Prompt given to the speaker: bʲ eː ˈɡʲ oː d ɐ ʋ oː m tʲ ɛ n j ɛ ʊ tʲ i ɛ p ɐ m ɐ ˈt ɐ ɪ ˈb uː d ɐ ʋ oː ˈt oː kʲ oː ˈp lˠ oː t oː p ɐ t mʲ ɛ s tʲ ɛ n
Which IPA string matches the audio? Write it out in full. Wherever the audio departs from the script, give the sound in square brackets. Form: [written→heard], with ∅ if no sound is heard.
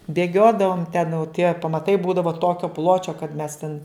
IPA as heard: bʲ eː ˈɡʲ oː d ɐ ʋ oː m tʲ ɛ n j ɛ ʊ tʲ i ɛ p ɐ m ɐ ˈt ɐ ɪ ˈb uː d ɐ ʋ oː ˈt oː kʲ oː ˈp lˠ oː [t→t͡ʃʲ] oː [p→k] ɐ t mʲ ɛ s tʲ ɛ n